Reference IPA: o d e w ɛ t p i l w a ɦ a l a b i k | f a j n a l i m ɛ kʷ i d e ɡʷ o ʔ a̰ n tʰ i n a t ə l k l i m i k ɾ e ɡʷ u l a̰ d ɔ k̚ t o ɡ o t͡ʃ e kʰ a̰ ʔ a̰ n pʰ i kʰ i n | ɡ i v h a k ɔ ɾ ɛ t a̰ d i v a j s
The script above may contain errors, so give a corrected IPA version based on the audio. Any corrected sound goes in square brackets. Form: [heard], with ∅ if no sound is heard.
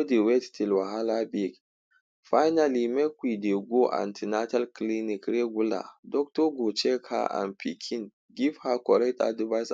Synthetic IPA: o d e w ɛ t [t] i l w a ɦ a l a b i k | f a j n a l i m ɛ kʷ i d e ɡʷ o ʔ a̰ n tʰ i n a t [a] l k l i [n] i k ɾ e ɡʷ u l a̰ d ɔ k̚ t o ɡ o t͡ʃ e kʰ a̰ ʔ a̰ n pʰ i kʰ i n | ɡ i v h a k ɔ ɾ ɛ t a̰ d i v a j s